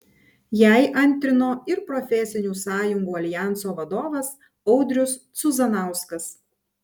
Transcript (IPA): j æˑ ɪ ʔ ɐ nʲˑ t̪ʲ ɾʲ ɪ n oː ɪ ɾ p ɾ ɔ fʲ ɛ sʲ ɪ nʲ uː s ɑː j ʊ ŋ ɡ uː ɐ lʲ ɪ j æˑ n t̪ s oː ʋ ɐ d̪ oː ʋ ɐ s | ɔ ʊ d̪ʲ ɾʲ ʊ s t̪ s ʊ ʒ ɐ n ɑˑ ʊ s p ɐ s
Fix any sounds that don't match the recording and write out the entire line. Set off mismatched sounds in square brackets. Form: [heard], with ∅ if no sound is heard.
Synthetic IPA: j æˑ ɪ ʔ ɐ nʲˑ t̪ʲ ɾʲ ɪ n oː ɪ ɾ p ɾ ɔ fʲ ɛ sʲ ɪ nʲ uː s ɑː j ʊ ŋ ɡ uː ɐ lʲ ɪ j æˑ n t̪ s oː ʋ ɐ d̪ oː ʋ ɐ s | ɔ ʊ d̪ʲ ɾʲ ʊ s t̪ s ʊ [z] ɐ n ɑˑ ʊ s [k] ɐ s

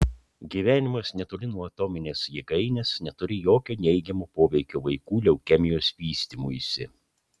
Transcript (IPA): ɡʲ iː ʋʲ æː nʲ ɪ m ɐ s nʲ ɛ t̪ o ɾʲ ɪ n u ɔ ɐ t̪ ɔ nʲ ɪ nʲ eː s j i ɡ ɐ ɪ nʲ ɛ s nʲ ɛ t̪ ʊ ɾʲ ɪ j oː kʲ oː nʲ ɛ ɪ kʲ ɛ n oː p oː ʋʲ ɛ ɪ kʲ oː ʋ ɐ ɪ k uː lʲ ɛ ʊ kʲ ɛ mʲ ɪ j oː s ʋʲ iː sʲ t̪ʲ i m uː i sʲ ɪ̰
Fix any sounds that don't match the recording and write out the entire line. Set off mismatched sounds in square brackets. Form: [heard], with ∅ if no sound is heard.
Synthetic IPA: ɡʲ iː ʋʲ æː nʲ ɪ m ɐ s nʲ ɛ t̪ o [lʲ] ɪ n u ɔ ɐ t̪ ɔ [mʲ] ɪ nʲ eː s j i ɡ ɐ ɪ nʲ ɛ s nʲ ɛ t̪ ʊ ɾʲ ɪ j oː kʲ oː nʲ ɛ ɪ [ɡʲ] ɛ [m] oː p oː ʋʲ ɛ ɪ kʲ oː ʋ ɐ ɪ k uː lʲ ɛ ʊ kʲ ɛ mʲ ɪ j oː s ʋʲ iː sʲ t̪ʲ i m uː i sʲ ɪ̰

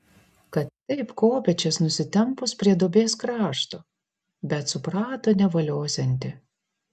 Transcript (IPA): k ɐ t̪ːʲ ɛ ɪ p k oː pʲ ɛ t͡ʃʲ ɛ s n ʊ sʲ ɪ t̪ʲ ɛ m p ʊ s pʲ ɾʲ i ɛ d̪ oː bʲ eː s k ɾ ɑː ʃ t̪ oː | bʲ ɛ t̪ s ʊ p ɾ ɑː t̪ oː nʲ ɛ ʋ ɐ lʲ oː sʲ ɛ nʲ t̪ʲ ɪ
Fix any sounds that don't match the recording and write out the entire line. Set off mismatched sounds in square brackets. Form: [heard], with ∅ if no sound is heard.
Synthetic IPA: k ɐ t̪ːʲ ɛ ɪ p k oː pʲ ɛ t͡ʃʲ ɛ s n ʊ sʲ ɪ t̪ʲ ɛ m p ʊ s pʲ ɾʲ i ɛ d̪ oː bʲ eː s k ɾ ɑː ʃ t̪ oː | bʲ ɛ t̪ s ʊ p ɾ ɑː t̪ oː nʲ ɛ ʋ ɐ lʲ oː sʲ ɛ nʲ t̪ʲ ɪ

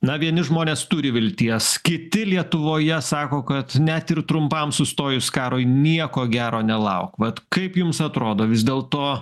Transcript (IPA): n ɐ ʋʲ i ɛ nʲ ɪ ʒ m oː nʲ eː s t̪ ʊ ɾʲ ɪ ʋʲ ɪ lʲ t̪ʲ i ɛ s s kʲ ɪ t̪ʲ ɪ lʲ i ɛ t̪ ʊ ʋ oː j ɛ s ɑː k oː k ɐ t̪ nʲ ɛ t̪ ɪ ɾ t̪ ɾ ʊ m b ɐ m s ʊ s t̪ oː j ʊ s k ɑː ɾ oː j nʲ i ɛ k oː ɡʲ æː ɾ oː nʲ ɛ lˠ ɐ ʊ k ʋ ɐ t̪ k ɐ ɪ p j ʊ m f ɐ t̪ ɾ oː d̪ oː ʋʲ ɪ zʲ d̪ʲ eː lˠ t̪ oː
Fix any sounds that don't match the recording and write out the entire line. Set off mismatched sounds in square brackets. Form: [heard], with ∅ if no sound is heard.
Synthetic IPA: n ɐ ʋʲ i ɛ nʲ ɪ ʒ m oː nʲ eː s t̪ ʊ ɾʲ ɪ ʋʲ ɪ lʲ t̪ʲ i ɛ s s kʲ ɪ t̪ʲ ɪ lʲ i ɛ t̪ ʊ ʋ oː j ɛ s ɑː k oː k ɐ t̪ nʲ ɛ t̪ ɪ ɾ t̪ ɾ ʊ m [p] ɐ m s ʊ s t̪ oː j ʊ s k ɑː ɾ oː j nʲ i ɛ k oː ɡʲ æː ɾ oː nʲ ɛ lˠ ɐ ʊ k ʋ ɐ t̪ k ɐ ɪ p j ʊ m [s] ɐ t̪ ɾ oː d̪ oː ʋʲ ɪ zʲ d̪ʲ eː lˠ t̪ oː

